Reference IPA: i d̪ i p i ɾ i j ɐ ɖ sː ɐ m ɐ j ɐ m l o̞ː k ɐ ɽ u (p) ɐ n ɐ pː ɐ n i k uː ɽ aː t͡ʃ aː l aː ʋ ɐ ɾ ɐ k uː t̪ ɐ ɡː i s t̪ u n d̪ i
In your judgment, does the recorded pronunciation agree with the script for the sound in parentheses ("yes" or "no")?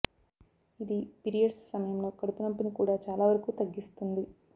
yes